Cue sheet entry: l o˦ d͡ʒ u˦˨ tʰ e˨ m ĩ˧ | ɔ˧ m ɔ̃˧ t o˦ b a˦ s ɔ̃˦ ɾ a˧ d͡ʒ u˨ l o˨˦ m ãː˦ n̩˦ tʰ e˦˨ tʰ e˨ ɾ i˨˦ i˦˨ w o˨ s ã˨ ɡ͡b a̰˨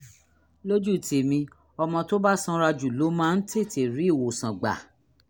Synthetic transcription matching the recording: l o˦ d͡ʒ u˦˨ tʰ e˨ m ĩ˧ | ɔ˧ m ɔ̃˧ t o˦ b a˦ s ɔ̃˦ ɾ a˧ d͡ʒ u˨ l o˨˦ m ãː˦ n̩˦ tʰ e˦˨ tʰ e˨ ɾ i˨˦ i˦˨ w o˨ s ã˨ ɡ͡b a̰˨